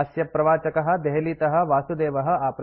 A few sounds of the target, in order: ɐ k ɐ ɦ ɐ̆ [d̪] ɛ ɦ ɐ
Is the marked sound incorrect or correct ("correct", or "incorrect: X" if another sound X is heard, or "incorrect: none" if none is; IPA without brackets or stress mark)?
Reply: correct